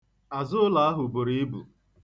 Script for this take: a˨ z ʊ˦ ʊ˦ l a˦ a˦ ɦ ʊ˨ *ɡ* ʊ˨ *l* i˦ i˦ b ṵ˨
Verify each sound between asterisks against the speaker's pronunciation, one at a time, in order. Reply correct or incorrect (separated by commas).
incorrect, incorrect